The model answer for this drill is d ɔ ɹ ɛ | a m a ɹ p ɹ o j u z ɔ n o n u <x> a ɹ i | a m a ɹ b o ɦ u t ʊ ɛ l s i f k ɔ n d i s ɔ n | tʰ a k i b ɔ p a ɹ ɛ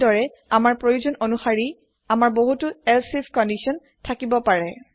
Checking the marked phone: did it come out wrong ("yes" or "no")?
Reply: no